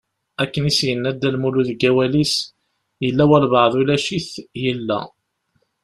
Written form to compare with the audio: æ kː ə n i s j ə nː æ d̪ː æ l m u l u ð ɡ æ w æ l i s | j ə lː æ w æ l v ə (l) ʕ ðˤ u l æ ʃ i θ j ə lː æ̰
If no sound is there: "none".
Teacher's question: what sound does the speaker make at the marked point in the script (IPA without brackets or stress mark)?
none